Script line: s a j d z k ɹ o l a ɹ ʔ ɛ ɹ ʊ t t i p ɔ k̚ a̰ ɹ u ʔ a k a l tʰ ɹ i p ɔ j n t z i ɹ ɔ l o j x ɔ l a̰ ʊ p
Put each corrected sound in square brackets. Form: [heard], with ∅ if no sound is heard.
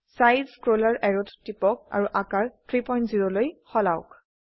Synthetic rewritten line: s a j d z k ɹ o l a ɹ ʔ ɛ ɹ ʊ t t i p ɔ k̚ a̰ ɹ u ʔ a k a [ɹ] tʰ ɹ i p ɔ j n t z i ɹ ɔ l o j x ɔ l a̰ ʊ [k]

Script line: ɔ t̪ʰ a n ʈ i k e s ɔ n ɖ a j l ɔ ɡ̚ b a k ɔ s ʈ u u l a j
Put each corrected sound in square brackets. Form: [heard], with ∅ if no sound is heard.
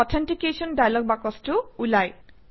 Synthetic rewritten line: ɔ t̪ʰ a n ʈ i k e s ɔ n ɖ a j l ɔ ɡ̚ b a k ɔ s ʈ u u l a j

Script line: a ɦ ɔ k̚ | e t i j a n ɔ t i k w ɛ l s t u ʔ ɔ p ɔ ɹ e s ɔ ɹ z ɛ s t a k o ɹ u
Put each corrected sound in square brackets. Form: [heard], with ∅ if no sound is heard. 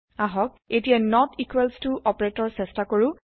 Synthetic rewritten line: a ɦ ɔ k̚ | e t i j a n ɔ t i k w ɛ l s t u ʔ ɔ p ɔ ɹ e [t] ɔ ɹ [s] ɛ s t a k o ɹ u

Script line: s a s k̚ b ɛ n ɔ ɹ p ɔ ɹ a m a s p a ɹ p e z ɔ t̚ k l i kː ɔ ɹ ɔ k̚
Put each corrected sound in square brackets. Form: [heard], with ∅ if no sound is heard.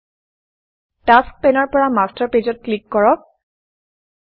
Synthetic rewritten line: [t] a s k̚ [p] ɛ n ɔ ɹ p ɔ ɹ a m a s [t] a ɹ p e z ɔ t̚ k l i kː ɔ ɹ ɔ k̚

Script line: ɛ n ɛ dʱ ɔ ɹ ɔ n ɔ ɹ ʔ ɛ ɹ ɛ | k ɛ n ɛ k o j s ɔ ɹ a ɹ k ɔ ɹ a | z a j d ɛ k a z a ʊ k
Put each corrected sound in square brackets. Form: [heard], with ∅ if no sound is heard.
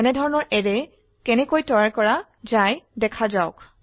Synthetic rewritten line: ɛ n ɛ dʱ ɔ ɹ ɔ n ɔ ɹ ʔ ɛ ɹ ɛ | k ɛ n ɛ k o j [t] ɔ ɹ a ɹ k ɔ ɹ a | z a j d ɛ [kʰ] a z a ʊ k

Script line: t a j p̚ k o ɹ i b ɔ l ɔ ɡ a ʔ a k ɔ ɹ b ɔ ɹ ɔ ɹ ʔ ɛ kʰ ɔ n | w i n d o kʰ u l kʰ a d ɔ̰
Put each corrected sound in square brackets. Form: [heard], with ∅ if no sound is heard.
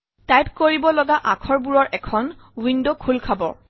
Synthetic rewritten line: t a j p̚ k o ɹ i b ɔ l ɔ ɡ a ʔ a [kʰ] ɔ ɹ b [u] ɹ ɔ ɹ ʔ ɛ kʰ ɔ n | w i n d o kʰ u l kʰ a [b] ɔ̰

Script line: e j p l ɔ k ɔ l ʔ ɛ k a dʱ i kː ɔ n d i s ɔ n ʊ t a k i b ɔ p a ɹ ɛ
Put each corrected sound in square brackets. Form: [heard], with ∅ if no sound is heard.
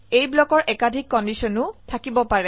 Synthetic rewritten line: e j [b] l ɔ k ɔ [ɹ] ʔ ɛ k a dʱ i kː ɔ n d i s ɔ n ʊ [tʰ] a k i b ɔ p a ɹ ɛ

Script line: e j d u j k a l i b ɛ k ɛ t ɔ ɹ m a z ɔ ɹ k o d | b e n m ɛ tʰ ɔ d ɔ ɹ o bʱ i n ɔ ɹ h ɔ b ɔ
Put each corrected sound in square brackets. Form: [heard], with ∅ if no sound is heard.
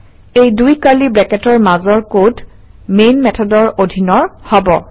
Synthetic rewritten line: e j d u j k a l i b ɛ k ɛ t ɔ ɹ m a z ɔ ɹ k o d | [m] e n m ɛ tʰ ɔ d ɔ ɹ o [dʱ] i n ɔ ɹ h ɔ b ɔ

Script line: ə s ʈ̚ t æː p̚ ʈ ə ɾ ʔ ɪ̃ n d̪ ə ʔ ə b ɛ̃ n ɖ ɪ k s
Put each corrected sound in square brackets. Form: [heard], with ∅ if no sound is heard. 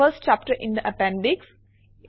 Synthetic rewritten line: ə s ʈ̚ [t͡ʃ] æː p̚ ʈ ə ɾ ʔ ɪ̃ n d̪ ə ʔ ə [p] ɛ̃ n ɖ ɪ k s

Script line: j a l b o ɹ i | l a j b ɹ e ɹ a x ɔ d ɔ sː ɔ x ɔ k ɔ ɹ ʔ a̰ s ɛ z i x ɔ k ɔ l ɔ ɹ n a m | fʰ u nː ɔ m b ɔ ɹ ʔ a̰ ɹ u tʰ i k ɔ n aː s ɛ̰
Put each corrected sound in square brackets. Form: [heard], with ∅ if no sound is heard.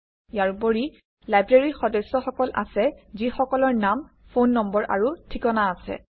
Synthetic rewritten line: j a [ɹ] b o ɹ i | l a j b ɹ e ɹ [i] x ɔ d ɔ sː ɔ x ɔ k ɔ [l] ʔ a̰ s ɛ z i x ɔ k ɔ l ɔ ɹ n a m | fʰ [o] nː ɔ m b ɔ ɹ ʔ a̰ ɹ u tʰ i k ɔ n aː s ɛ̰

